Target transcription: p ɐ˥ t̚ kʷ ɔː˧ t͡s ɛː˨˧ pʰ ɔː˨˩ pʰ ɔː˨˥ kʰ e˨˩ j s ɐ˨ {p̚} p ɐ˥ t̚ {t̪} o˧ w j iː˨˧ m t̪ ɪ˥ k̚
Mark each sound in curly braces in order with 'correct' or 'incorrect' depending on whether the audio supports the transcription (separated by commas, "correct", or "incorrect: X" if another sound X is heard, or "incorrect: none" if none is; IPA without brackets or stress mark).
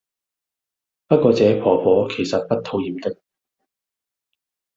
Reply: incorrect: t̚, incorrect: t̪ʰ